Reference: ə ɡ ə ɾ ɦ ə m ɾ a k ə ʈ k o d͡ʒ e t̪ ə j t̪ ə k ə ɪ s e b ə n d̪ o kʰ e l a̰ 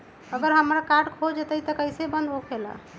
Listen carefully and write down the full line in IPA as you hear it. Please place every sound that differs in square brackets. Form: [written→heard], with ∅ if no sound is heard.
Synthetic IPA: ə ɡ ə ɾ ɦ ə m ɾ a k [ə→a] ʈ [k→kʰ] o d͡ʒ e t̪ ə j t̪ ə k ə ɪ s e b ə n d̪ o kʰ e l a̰